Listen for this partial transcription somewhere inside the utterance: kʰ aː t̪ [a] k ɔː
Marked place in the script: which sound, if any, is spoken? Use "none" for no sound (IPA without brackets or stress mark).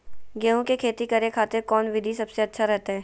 e